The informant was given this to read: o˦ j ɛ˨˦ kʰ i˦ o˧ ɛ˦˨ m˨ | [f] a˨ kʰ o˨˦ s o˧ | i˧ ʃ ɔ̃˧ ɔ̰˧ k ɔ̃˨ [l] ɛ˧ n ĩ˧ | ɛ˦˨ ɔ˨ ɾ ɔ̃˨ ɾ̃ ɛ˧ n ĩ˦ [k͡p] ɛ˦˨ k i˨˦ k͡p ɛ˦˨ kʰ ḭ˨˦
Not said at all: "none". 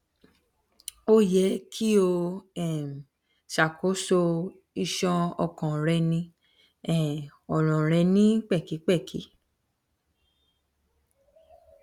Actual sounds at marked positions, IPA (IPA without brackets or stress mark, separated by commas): ʃ, ɾ, k͡p